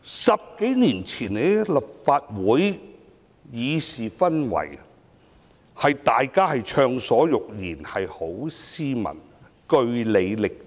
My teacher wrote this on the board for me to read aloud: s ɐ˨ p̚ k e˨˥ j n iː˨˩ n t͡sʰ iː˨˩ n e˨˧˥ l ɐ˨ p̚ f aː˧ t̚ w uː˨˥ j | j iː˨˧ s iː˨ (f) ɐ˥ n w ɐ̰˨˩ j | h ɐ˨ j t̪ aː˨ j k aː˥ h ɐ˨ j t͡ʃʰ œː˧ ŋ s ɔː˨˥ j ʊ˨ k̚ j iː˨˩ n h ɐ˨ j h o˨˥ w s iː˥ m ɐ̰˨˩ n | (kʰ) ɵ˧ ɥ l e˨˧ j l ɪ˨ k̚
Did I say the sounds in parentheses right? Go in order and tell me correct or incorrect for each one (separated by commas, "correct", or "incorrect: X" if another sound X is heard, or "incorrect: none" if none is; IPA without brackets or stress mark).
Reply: correct, incorrect: k